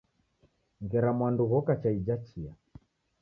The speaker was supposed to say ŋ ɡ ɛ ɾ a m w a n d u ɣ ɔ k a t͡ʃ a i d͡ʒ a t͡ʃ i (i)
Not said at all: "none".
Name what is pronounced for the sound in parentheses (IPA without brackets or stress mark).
a